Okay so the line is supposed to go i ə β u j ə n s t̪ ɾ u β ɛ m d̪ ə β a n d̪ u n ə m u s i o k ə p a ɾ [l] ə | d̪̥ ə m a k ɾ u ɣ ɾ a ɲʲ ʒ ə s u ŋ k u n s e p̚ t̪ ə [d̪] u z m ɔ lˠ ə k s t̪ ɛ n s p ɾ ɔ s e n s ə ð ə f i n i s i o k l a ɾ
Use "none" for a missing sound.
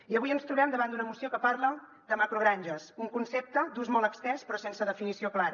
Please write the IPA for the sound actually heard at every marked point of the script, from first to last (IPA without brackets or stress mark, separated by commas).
l, d̪